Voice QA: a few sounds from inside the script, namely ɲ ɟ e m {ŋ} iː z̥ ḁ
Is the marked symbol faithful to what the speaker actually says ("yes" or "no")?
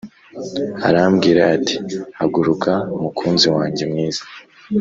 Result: yes